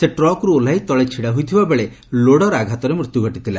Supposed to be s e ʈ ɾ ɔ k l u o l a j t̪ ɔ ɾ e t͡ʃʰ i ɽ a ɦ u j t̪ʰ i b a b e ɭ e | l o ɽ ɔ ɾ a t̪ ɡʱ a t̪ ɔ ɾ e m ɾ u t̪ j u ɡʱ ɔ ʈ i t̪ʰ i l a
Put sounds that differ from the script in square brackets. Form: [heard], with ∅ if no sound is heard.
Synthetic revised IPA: s e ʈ ɾ ɔ k [ɾ] u o l a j t̪ ɔ [ɭ] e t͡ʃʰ i ɽ a ɦ u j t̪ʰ i b a b e ɭ e | l o ɽ ɔ ɾ a [∅] ɡʱ a t̪ ɔ ɾ e m ɾ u t̪ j u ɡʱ ɔ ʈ i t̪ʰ i l a